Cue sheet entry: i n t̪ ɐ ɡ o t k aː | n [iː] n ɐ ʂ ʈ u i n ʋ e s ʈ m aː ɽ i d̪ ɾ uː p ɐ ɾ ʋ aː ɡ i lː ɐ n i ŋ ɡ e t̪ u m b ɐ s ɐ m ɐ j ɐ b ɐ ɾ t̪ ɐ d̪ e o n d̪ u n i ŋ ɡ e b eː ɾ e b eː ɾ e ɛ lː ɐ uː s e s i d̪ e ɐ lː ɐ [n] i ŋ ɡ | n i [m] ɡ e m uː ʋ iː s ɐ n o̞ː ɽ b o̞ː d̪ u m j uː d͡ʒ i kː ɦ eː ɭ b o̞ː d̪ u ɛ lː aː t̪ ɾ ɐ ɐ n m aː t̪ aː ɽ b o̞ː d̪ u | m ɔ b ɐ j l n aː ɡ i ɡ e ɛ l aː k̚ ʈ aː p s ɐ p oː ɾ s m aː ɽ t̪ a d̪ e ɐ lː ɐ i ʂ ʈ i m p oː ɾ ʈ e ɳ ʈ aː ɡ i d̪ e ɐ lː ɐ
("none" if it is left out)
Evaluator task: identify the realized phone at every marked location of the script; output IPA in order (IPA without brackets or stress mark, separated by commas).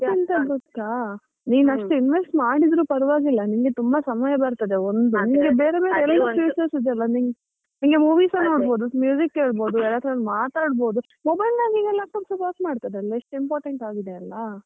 iː, n, ŋ